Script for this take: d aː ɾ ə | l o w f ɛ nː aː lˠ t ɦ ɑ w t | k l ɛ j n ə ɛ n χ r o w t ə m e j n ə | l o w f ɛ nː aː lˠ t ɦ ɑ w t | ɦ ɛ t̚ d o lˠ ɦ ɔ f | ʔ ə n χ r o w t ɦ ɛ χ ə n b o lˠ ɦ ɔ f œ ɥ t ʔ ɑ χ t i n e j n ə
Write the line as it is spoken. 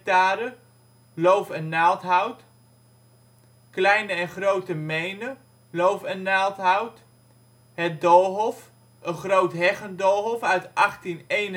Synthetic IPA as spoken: t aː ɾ ə | l o w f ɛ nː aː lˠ t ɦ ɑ w t | k l ɛ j n ə ɛ n χ r o w t ə m e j n ə | l o w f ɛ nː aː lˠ t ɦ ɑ w t | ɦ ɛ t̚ d o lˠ ɦ ɔ f | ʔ ə n χ r o w t ɦ ɛ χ ə n d o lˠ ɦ ɔ f œ ɥ t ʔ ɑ χ t i n e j n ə